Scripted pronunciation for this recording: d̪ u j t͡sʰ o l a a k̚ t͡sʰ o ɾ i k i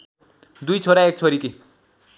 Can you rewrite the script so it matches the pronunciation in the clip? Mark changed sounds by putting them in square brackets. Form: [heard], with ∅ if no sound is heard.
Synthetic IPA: d̪ u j t͡sʰ o [ɾ] a [e] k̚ t͡sʰ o ɾ i k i